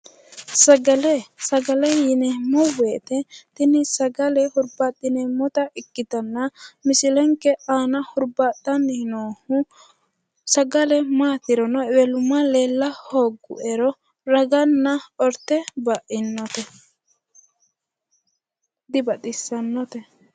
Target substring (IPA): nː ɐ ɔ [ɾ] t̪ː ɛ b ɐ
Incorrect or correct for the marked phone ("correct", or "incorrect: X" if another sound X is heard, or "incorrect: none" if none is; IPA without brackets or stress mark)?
correct